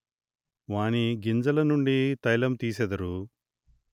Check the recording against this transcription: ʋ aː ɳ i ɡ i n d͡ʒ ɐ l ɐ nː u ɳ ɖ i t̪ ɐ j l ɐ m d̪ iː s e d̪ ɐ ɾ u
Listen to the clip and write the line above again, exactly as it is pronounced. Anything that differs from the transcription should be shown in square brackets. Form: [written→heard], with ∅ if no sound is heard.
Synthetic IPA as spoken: ʋ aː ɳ i ɡ i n d͡ʒ ɐ l ɐ [nː→n] u ɳ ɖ i t̪ ɐ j l ɐ m [d̪→t̪] iː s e d̪ ɐ ɾ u